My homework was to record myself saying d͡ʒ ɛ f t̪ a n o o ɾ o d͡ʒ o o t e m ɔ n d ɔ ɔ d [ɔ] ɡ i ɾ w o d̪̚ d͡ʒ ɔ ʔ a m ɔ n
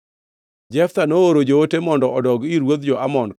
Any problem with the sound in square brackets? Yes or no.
no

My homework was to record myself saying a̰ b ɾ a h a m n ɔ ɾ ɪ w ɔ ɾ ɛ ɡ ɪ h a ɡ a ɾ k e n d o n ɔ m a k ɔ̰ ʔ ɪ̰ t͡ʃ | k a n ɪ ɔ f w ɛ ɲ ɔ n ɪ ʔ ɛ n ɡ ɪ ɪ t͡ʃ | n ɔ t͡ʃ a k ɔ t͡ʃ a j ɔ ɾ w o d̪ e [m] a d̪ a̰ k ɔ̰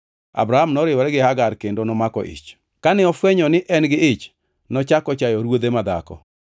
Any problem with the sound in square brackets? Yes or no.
no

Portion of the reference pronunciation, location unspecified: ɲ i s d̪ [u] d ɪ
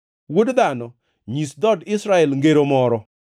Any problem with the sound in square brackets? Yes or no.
yes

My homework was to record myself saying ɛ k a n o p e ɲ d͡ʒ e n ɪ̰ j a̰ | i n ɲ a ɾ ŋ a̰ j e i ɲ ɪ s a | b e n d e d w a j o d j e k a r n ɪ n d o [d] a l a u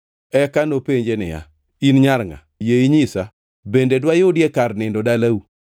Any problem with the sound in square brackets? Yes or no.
no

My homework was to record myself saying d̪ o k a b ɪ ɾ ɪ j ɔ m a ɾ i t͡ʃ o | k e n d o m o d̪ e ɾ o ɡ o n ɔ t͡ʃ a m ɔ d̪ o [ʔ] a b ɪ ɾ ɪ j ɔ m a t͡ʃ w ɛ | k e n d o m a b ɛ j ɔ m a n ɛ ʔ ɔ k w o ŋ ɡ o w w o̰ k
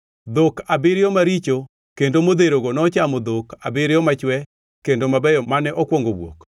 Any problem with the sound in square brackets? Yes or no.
yes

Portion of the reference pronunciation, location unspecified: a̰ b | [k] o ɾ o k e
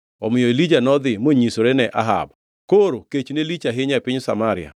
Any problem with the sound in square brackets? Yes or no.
no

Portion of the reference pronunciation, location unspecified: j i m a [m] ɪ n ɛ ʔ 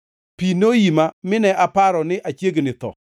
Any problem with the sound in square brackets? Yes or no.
no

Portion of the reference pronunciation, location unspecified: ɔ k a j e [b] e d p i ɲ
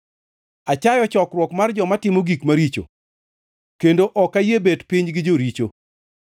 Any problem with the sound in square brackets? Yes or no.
no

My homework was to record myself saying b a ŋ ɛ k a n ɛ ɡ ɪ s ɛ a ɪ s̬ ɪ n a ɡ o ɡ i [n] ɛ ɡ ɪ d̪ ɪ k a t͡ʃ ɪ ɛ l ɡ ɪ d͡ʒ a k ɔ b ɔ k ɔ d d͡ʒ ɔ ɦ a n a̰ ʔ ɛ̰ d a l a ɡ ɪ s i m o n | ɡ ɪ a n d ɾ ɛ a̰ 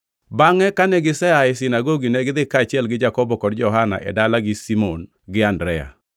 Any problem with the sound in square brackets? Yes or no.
no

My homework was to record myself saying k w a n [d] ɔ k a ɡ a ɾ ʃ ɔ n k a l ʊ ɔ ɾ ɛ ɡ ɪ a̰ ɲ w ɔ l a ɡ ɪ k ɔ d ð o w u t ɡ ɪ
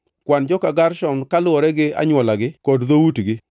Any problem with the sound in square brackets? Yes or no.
yes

